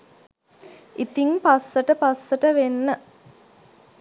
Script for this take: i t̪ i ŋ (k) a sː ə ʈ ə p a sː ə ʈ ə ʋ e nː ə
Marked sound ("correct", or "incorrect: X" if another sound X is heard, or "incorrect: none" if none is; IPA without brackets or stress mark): incorrect: p